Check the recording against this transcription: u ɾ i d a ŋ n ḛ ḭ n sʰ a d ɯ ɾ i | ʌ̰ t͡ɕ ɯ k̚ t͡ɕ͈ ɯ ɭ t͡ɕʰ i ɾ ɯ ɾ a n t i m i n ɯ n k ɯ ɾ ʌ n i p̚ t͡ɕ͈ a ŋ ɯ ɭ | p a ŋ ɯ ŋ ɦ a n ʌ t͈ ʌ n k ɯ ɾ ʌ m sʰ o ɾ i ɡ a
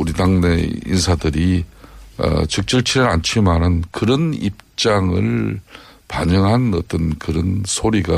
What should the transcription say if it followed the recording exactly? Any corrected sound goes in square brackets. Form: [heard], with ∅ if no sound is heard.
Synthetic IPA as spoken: u ɾ i d a ŋ n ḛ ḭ n sʰ a d ɯ ɾ i | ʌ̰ t͡ɕ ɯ k̚ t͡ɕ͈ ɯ ɭ t͡ɕʰ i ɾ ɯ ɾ a n [t͡ɕʰ] i m [a] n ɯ n k ɯ ɾ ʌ n i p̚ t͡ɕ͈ a ŋ ɯ ɭ | p a [ɲ] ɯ ŋ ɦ a n ʌ t͈ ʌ n k ɯ ɾ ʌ [n] sʰ o ɾ i ɡ a